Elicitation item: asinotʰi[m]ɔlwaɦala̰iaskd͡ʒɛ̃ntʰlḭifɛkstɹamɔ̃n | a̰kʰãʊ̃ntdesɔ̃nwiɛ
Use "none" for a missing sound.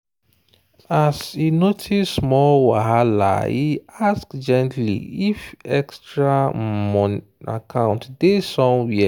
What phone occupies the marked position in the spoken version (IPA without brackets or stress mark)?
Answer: m